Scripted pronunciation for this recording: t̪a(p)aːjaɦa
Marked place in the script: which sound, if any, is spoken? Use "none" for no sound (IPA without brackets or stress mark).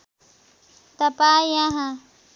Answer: p